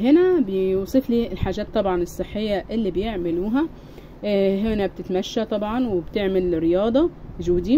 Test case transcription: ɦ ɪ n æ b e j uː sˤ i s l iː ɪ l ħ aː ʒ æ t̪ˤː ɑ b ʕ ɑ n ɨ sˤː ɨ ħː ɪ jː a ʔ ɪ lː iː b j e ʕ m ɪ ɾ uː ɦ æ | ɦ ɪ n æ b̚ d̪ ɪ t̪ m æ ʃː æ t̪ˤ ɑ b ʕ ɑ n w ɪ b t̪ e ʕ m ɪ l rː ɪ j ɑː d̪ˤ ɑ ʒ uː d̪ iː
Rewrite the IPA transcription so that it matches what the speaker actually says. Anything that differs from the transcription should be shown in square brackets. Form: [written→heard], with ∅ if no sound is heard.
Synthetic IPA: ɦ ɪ n æ b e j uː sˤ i [s→f] l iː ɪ l ħ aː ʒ [æ→æː] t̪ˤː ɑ b ʕ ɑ n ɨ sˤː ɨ ħː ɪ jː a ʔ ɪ lː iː b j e ʕ m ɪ [ɾ→l] uː ɦ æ | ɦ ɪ n æ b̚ [d̪→t̪] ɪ t̪ m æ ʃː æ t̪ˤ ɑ b ʕ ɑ n w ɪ b t̪ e ʕ m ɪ l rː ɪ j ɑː d̪ˤ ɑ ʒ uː d̪ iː